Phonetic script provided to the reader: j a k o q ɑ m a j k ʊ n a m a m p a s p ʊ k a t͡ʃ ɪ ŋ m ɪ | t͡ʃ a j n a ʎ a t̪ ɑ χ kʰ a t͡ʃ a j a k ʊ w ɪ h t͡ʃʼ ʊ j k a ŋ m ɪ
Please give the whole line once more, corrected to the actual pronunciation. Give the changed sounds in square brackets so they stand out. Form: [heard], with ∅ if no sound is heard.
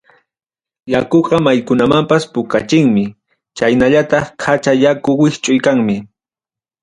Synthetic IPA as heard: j a k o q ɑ m a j k ʊ n a m a m p a s p ʊ k a t͡ʃ ɪ ŋ m ɪ | t͡ʃ a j n a ʎ a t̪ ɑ χ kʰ a t͡ʃ a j a k ʊ w ɪ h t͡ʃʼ ʊ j k a ŋ m ɪ